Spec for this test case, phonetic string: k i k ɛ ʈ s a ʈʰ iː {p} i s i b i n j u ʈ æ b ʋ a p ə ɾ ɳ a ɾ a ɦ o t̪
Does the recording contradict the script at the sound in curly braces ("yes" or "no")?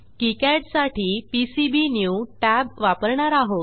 no